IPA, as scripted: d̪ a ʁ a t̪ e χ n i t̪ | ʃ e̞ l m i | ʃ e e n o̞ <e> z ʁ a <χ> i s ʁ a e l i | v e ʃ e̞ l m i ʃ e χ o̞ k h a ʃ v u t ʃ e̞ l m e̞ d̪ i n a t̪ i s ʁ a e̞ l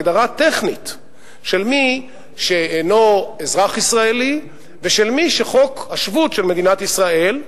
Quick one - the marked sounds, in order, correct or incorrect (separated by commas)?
correct, correct